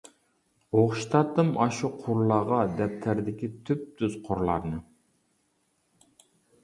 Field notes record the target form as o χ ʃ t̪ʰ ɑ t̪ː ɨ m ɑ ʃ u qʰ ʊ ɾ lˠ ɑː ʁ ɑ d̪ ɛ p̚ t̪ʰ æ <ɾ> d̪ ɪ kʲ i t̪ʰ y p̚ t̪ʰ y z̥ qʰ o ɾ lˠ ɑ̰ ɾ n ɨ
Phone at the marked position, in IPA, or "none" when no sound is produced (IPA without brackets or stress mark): ɾ